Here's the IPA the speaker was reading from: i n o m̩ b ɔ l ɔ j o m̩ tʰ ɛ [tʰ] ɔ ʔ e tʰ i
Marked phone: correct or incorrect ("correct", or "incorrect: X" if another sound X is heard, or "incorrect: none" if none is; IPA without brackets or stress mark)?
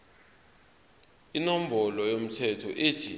correct